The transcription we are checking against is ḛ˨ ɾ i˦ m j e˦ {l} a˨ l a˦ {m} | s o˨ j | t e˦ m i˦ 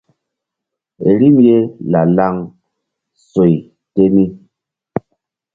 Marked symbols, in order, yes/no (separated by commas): yes, no